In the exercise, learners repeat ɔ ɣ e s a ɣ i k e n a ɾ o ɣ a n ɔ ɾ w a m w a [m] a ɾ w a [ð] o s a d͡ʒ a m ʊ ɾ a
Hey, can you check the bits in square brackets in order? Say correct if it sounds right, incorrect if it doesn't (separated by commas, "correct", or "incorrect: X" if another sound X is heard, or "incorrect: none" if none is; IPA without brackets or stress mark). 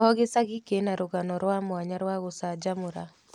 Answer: incorrect: ɲ, incorrect: ɣ